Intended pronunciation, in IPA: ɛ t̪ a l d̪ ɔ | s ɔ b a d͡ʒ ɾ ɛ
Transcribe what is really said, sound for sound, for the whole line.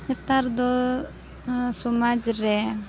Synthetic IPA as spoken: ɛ t̪ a ɾ d̪ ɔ | s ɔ m a d͡ʒ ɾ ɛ

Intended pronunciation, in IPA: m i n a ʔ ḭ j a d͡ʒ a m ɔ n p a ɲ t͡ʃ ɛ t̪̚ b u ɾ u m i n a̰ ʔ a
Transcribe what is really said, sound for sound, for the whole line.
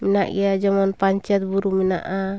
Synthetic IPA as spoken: m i n a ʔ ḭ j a d͡ʒ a m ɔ n p a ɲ t͡ʃ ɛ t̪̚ b u ɾ u m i n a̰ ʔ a

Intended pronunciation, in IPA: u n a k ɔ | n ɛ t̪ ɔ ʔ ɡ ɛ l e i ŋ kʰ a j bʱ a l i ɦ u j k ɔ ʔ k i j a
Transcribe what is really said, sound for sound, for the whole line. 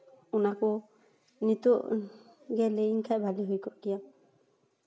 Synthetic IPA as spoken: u n a k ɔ | n i t̪ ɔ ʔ ɡ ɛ l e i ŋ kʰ a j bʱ a l i ɦ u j k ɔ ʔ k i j a

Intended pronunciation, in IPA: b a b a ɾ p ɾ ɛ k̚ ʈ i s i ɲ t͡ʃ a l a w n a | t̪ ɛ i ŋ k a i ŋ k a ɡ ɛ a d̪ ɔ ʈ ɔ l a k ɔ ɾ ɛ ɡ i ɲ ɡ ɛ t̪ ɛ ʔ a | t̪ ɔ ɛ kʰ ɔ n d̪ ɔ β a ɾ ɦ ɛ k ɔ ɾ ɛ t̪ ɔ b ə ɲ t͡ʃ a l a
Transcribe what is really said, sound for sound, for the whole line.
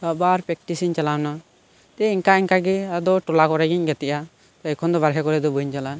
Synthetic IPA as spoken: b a b a ɾ p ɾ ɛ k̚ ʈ i s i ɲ t͡ʃ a l a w n a | t̪ ɛ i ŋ k a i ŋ k a ɡ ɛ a d̪ ɔ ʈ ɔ l a k ɔ ɾ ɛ ɡ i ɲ ɡ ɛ t̪ ɛ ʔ a | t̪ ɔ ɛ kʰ ɔ n d̪ ɔ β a ɾ ɦ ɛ k ɔ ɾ ɛ d̪ ɔ b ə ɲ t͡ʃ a l a

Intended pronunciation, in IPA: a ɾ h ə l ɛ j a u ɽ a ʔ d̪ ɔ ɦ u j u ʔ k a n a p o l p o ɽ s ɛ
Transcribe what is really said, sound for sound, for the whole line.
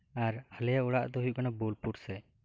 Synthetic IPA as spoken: a ɾ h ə l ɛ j a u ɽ a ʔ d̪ ɔ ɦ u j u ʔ k a n a b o l p u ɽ s ɛ

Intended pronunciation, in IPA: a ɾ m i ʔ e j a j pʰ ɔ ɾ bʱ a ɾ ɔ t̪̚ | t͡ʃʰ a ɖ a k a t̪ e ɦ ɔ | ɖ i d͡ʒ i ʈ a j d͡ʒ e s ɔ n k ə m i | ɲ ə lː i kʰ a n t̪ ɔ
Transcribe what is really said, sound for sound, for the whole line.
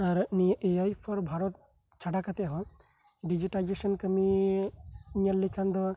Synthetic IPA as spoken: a ɾ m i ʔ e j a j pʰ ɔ ɾ bʱ a ɾ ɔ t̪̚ | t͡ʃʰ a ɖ a k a t̪ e ɦ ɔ | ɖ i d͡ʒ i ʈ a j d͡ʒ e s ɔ n k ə m i | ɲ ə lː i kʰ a n d̪ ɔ

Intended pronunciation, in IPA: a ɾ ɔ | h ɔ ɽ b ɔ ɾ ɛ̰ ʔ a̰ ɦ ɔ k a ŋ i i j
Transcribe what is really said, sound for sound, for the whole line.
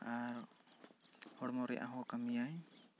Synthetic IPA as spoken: a ɾ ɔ | h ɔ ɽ m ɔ ɾ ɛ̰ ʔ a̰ ɦ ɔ k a m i a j

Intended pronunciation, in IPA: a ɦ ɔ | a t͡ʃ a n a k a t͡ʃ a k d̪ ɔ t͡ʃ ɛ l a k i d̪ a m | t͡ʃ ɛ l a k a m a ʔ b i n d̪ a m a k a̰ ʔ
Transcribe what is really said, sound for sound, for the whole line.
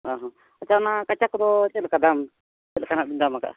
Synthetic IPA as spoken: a ɦ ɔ | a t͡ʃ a n a k a t͡ʃ a k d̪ ɔ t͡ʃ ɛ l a k a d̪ a m | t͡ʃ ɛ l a k a n a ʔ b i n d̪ a m a k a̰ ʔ

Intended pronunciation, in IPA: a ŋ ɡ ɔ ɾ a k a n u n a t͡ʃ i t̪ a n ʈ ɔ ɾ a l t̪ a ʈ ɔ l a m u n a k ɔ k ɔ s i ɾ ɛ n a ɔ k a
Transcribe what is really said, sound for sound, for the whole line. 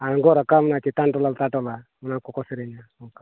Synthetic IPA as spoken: a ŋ ɡ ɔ ɾ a k a m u n a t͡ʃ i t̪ a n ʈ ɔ l a l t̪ a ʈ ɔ l a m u n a k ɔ k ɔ s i ɾ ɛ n a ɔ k a

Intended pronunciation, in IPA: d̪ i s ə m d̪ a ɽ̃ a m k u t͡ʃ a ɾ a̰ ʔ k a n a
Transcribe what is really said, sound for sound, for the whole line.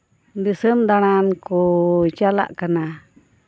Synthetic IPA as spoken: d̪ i s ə m d̪ a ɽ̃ a n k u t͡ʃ a l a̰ ʔ k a n a

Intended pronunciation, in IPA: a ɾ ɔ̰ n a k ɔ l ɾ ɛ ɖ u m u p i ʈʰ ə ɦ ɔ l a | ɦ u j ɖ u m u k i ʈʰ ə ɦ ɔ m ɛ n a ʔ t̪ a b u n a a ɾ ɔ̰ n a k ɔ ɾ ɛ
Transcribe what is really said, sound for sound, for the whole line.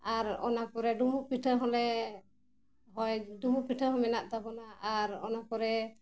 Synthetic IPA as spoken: a ɾ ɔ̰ n a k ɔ ɾ ɛ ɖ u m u p i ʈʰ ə ɦ ɔ l ɛ | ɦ ɔ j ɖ u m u p i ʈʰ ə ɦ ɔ m ɛ n a ʔ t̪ a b ɔ n a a ɾ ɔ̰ n a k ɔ ɾ ɛ

